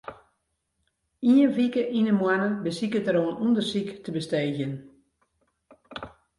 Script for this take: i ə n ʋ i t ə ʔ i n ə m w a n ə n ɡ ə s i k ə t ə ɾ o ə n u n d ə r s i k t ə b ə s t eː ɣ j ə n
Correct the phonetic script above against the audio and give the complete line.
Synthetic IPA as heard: i ə n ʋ i k ə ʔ i n ə m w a n ə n b ə s i k ə t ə ɾ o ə n u n d ə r s i k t ə b ə s t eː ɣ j ə n